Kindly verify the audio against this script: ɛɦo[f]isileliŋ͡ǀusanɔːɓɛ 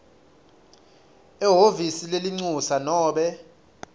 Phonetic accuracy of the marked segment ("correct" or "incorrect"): incorrect